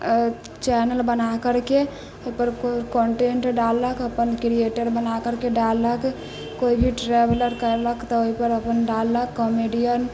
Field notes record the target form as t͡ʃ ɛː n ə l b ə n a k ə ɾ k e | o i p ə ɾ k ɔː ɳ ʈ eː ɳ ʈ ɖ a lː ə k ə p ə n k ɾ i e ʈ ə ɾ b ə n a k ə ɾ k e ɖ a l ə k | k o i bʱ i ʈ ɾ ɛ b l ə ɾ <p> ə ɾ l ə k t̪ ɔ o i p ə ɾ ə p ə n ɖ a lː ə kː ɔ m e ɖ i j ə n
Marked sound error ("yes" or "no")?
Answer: yes